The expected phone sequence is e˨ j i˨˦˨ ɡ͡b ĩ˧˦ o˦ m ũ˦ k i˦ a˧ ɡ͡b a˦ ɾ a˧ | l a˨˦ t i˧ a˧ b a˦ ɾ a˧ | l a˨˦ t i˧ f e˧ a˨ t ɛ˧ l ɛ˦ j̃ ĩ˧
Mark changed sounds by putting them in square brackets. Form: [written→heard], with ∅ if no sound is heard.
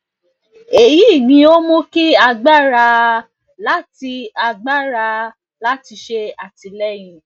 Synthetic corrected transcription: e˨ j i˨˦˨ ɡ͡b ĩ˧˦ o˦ m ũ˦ k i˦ a˧ ɡ͡b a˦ ɾ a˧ | l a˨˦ t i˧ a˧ [b→ɡ͡b] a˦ ɾ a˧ | l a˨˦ t i˧ [f→ʃ] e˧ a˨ t [ɛ˧→i˧] l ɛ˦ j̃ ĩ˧